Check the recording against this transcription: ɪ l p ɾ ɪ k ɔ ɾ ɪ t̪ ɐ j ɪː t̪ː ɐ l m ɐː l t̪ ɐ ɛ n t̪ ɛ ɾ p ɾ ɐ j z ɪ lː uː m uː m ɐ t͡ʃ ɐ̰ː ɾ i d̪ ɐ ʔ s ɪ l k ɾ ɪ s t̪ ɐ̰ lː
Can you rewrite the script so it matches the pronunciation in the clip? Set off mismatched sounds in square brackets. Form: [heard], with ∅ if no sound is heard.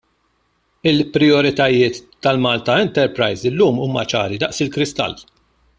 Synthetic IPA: ɪ l p ɾ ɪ [∅] ɔ ɾ ɪ t̪ ɐ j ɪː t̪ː ɐ l m ɐː l t̪ ɐ ɛ n t̪ ɛ ɾ p ɾ ɐ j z ɪ lː uː m uː m ɐ t͡ʃ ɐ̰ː ɾ i d̪ ɐ ʔ s ɪ l k ɾ ɪ s t̪ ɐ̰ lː